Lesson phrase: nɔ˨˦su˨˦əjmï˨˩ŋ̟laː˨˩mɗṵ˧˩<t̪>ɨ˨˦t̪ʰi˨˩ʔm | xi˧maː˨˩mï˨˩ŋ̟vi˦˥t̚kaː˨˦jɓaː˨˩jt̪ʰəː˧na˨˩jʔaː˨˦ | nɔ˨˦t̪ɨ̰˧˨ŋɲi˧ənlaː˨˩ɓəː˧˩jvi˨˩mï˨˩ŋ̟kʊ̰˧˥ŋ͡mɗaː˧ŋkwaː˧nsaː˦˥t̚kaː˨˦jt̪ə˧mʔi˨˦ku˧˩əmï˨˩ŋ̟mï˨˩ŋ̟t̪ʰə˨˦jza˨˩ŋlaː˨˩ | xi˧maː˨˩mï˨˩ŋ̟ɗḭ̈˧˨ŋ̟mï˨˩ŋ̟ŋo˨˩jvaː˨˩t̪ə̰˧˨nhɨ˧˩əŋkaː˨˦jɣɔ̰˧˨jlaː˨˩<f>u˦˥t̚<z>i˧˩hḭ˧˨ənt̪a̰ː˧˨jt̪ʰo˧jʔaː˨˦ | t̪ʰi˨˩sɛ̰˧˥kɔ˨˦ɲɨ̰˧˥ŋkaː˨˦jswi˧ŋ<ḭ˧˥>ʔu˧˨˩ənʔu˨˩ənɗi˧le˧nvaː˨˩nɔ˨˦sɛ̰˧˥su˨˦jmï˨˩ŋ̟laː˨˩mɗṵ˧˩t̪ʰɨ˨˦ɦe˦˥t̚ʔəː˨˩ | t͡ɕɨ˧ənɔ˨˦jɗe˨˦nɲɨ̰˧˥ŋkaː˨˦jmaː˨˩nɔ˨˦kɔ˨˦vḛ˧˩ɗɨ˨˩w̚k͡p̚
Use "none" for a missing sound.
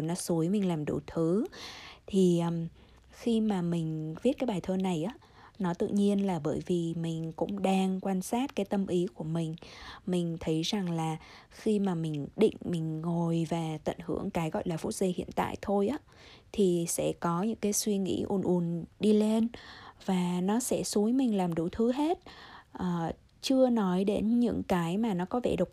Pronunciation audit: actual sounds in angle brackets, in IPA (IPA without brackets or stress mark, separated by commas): t̪ʰ, f, z, ḭ˧˥